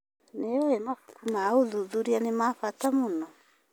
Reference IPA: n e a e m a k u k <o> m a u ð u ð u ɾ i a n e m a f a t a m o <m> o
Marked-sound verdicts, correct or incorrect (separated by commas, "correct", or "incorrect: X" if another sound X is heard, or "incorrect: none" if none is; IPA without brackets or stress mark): incorrect: u, incorrect: n